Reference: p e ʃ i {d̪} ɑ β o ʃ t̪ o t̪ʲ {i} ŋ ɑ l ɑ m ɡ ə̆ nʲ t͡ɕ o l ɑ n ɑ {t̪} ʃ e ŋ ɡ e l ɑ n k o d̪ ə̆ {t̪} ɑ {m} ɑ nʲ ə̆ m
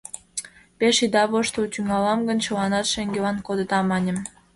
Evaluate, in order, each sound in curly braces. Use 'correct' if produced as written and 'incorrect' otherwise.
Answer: correct, incorrect: y, correct, correct, correct

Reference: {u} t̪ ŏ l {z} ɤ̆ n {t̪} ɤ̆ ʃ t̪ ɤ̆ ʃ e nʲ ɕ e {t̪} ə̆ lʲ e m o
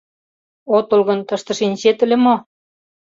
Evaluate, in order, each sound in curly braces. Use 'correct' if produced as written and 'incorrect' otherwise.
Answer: incorrect: o, incorrect: ɣ, correct, correct

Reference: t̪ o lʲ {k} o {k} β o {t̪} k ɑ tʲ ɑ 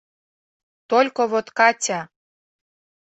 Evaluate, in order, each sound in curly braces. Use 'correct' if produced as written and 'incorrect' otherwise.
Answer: correct, incorrect: none, correct

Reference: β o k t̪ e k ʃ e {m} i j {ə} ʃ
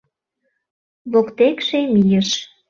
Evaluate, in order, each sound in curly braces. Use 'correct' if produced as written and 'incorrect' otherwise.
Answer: correct, correct

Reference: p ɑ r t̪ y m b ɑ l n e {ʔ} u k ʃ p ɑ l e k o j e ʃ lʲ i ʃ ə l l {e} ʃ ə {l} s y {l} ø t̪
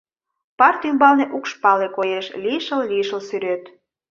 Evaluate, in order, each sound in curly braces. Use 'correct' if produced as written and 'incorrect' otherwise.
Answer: correct, incorrect: i, correct, incorrect: ɾ

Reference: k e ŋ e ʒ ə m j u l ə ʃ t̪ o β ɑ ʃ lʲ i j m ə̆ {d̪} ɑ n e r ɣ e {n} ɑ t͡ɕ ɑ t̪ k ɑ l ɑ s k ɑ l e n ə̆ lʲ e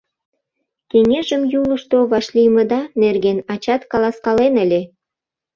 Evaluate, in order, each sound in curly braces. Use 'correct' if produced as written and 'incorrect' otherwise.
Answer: correct, correct

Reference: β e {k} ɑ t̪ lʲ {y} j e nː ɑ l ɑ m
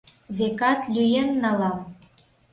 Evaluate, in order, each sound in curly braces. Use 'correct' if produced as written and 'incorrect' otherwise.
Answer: correct, correct

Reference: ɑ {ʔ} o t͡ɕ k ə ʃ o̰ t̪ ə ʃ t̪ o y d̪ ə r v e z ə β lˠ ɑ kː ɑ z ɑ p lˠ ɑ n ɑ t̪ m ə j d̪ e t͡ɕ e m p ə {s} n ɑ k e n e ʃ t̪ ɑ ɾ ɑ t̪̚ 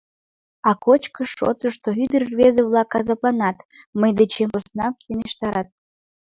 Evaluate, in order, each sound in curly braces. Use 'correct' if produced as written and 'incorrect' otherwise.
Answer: incorrect: k, correct

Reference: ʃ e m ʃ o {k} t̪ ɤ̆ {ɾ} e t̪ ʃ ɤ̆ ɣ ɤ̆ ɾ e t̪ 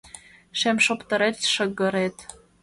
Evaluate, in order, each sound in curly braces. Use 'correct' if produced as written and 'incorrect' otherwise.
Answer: incorrect: p, correct

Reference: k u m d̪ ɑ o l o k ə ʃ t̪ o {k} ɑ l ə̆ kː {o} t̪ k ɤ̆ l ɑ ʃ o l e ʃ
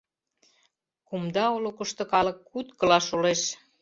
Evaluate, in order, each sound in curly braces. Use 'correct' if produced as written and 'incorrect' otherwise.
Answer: correct, incorrect: u

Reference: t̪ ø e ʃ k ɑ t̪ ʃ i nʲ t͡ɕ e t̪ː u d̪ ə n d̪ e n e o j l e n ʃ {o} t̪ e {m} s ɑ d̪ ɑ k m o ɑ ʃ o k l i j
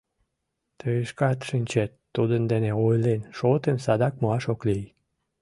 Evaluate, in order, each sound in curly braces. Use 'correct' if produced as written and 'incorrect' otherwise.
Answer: correct, correct

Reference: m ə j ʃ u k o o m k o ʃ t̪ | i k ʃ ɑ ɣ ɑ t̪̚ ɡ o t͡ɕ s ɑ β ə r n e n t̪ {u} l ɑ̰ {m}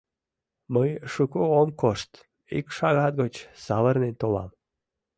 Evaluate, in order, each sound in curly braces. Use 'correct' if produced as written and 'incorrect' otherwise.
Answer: incorrect: o, correct

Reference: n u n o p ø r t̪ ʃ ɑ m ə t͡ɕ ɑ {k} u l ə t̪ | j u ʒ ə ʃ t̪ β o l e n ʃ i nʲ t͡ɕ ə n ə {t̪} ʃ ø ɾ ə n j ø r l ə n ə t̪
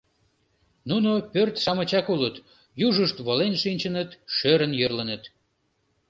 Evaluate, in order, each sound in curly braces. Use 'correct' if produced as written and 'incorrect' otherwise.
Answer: correct, correct

